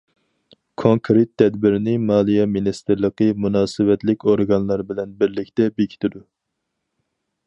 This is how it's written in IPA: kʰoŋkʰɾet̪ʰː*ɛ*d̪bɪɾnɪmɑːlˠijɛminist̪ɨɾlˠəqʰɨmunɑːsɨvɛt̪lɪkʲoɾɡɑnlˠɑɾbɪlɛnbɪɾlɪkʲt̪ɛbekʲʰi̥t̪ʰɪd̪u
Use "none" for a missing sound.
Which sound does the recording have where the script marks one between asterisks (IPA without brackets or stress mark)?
ɛ